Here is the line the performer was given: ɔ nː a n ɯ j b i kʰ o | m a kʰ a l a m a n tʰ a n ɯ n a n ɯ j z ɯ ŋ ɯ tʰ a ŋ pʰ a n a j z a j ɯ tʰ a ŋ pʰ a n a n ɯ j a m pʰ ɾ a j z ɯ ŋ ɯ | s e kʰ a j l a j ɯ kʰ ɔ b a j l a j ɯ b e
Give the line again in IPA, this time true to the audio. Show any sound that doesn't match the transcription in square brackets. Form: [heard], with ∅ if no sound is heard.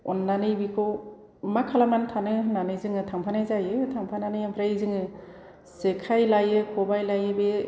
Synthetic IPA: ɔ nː a n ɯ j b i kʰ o | m a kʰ a l a m a n tʰ a n ɯ n a n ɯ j z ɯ ŋ ɯ tʰ a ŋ pʰ a n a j z a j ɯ tʰ a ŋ pʰ a n a n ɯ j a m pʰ ɾ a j z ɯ ŋ ɯ | s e kʰ a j l a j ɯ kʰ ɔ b a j l a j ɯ b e